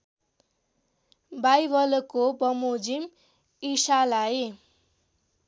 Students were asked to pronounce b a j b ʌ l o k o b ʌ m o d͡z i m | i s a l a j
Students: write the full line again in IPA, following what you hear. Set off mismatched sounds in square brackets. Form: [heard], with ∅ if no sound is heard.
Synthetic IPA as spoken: b a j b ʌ l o k o b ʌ m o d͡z i m | i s a l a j